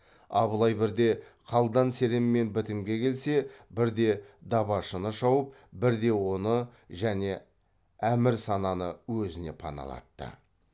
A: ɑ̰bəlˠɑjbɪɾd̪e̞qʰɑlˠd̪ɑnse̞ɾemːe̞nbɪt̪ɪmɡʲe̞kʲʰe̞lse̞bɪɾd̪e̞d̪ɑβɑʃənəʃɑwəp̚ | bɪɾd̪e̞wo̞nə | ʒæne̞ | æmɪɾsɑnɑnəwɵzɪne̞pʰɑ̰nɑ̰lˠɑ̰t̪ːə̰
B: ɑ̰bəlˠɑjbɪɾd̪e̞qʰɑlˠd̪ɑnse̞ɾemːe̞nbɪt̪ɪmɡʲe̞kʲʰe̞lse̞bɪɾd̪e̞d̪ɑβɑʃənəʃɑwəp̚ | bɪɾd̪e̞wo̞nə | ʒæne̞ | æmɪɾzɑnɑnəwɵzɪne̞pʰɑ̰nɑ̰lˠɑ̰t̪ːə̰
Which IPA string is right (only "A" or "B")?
A